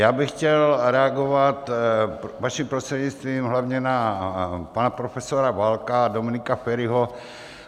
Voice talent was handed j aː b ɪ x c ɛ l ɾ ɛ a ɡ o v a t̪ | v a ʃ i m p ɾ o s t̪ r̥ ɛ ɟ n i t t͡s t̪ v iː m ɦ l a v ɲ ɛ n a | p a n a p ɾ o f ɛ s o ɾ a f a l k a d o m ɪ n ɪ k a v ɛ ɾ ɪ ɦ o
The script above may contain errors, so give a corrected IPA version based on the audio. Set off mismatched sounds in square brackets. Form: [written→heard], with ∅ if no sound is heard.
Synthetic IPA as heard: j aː b ɪ x c ɛ l ɾ ɛ a ɡ o v a t̪ | v a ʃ i m p ɾ o s t̪ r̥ ɛ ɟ [n→ɲ] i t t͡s t̪ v iː m ɦ l a v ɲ ɛ n a | p a n a p ɾ o f ɛ s o ɾ a [f→v] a l k a d o m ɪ n ɪ k a [v→f] ɛ ɾ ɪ ɦ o